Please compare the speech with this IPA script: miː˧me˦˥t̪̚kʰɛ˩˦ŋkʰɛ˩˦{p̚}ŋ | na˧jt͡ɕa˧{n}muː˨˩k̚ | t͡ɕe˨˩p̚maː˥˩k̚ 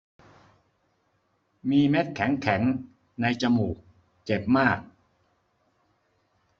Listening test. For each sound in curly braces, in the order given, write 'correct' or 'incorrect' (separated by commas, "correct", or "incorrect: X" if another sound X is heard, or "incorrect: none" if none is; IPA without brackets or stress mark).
incorrect: none, incorrect: none